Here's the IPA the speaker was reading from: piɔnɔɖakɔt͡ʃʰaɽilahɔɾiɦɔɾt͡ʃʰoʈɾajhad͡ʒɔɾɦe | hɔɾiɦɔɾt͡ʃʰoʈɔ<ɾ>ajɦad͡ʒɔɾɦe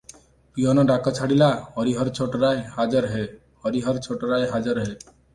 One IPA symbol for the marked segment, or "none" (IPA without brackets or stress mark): ɾ